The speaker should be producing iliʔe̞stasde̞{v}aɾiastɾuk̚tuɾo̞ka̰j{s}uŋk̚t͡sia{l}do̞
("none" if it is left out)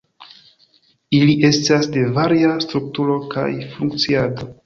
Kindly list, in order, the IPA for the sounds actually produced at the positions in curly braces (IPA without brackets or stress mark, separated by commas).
v, f, none